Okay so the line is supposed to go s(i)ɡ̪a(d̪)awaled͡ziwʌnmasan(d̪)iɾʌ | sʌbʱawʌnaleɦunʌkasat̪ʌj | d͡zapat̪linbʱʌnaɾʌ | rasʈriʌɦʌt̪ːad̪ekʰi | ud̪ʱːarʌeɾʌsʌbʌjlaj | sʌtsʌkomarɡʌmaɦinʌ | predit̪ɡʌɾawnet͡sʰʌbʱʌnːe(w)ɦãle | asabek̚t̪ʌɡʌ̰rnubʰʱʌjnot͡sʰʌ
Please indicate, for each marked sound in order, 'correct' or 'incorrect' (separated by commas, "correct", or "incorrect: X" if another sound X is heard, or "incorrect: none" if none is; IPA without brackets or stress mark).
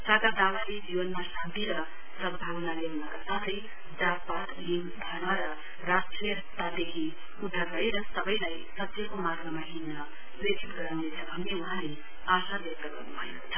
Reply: incorrect: a, correct, incorrect: t̪, incorrect: u